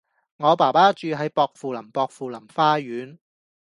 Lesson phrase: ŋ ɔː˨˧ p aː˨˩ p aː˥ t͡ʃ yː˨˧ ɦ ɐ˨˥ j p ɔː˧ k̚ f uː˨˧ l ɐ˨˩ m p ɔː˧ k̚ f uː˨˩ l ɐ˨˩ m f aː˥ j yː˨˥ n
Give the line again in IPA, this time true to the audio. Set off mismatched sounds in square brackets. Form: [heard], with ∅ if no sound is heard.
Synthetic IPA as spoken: ŋ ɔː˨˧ p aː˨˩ p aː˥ t͡ʃ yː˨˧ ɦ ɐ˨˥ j p ɔː˧ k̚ f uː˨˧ l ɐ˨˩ m p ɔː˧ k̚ f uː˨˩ l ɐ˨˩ m f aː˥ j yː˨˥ n